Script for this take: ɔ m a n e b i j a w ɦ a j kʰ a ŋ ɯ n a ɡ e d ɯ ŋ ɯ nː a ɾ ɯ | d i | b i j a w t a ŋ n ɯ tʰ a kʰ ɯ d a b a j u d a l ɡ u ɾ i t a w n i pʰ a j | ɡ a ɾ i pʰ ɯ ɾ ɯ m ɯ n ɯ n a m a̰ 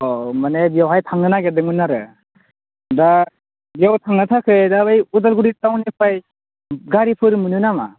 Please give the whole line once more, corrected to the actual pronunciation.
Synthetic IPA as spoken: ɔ m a n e b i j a w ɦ a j tʰ a ŋ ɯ n a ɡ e d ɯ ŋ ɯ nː a ɾ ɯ | d a | b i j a w tʰ a ŋ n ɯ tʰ a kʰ ɯ d a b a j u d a l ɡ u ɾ i t a w n i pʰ a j | ɡ a ɾ i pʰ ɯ ɾ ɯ m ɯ n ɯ n a m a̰